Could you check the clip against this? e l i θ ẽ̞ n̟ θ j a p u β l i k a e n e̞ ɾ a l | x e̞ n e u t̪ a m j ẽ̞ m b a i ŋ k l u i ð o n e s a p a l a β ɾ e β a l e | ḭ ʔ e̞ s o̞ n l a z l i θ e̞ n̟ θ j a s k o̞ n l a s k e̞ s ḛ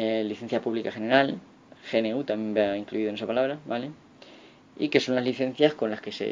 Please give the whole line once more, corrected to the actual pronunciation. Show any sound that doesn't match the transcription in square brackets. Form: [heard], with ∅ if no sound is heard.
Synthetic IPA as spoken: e l i θ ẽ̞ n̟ θ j a p u β l i k a e n e̞ ɾ a l | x e̞ n e u t̪ a m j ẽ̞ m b a i ŋ k l u i ð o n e s a p a l a β ɾ [a] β a l e | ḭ [k] e̞ s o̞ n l a z l i θ e̞ n̟ θ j a s k o̞ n l a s k e̞ s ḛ